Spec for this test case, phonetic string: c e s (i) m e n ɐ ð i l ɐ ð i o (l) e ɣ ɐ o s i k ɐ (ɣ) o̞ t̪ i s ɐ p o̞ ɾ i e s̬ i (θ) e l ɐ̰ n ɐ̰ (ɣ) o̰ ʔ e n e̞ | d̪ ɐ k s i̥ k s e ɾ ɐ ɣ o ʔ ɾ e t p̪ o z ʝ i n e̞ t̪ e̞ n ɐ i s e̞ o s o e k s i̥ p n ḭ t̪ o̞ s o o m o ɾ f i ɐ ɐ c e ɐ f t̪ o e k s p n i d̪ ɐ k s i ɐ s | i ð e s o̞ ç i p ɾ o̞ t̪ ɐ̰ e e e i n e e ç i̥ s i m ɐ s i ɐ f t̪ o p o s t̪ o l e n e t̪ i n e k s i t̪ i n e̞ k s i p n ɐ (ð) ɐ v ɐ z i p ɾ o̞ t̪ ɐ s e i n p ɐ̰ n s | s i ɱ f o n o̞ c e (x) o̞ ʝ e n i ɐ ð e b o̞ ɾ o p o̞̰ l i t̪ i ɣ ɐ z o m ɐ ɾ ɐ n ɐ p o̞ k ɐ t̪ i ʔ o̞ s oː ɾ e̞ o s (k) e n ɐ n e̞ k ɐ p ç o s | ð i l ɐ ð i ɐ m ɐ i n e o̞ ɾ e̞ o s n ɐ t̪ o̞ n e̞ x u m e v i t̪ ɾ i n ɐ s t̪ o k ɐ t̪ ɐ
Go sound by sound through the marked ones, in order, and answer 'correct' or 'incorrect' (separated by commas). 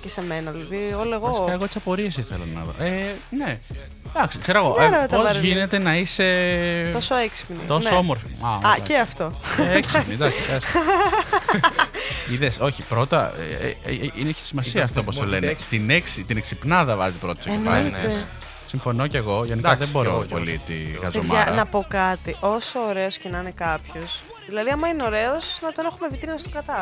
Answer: incorrect, correct, correct, correct, incorrect, correct, incorrect, incorrect